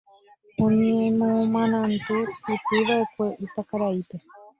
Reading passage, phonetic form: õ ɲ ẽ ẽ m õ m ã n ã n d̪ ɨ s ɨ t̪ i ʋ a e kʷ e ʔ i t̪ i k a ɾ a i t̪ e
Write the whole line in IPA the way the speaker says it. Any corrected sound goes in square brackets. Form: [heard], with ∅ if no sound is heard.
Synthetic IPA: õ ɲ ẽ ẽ m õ m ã n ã n [t̪] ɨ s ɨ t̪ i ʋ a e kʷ e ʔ i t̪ [a] k a ɾ a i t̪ e